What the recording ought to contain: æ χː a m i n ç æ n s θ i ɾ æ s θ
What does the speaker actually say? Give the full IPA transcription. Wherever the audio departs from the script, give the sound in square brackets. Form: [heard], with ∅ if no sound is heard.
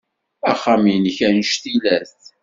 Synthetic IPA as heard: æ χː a m i n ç æ n [ʃ] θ i [l] æ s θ